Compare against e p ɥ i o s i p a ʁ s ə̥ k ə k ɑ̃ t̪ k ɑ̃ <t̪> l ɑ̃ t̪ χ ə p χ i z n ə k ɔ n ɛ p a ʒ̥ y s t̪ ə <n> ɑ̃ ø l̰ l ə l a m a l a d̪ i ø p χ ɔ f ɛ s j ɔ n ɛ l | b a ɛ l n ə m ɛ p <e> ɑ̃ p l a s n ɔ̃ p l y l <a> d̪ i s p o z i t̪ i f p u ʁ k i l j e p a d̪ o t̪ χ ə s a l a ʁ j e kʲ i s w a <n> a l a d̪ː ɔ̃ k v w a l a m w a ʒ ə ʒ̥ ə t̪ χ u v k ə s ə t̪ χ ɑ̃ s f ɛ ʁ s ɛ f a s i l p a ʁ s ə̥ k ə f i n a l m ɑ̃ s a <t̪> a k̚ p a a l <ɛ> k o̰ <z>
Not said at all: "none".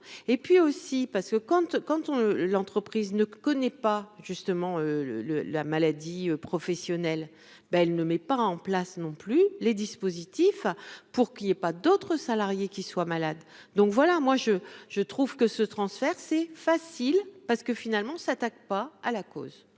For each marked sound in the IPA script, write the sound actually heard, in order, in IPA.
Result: t̪, m, a, e, m, t̪, a, z

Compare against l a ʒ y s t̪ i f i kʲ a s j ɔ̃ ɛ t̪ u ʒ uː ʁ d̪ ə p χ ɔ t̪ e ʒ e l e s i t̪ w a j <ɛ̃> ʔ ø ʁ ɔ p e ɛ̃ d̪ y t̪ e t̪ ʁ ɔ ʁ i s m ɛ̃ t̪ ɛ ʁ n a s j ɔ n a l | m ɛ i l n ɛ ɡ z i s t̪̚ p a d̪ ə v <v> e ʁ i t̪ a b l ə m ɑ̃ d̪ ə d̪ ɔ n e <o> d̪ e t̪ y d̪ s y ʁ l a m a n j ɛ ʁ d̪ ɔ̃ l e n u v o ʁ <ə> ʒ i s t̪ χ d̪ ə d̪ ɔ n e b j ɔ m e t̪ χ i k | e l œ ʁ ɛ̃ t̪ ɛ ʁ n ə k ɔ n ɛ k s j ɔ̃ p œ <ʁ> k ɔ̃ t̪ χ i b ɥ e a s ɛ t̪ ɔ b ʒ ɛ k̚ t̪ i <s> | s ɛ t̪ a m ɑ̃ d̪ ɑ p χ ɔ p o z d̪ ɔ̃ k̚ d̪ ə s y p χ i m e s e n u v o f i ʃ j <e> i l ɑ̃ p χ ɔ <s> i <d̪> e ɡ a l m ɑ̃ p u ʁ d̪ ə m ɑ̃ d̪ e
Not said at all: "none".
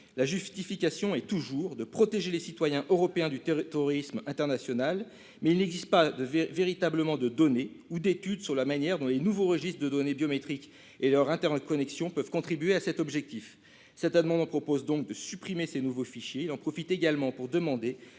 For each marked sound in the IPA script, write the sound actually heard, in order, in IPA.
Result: ɛ̃, v, u, ə, v, f, e, f, t̪

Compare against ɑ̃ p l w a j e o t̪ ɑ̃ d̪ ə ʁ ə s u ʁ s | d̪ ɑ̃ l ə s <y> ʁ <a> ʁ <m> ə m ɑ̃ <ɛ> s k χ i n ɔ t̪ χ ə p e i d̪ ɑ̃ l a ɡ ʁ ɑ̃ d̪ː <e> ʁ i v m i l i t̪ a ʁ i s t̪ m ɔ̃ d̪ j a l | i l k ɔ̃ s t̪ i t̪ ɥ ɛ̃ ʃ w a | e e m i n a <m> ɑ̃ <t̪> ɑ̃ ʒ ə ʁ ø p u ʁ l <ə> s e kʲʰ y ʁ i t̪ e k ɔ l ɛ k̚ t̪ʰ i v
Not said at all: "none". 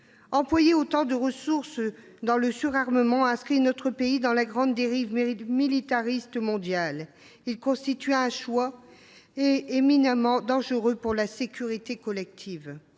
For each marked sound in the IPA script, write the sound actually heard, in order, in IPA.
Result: y, a, m, ɛ̃, e, m, d̪, a

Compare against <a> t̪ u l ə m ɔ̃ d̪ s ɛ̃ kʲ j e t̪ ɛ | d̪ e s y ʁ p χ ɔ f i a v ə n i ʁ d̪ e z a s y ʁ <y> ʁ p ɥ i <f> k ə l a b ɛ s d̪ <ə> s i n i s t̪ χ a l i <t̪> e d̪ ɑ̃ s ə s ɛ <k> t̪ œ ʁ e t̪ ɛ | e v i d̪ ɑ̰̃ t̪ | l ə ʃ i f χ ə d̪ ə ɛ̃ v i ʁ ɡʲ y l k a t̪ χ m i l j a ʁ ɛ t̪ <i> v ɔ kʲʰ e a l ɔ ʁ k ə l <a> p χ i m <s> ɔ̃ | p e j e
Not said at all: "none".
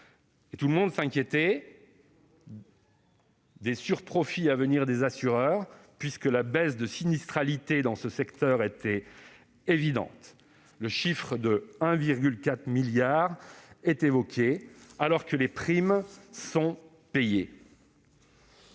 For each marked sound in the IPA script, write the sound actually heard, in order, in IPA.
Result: e, œ, s, ə, t̪, k, e, e, s

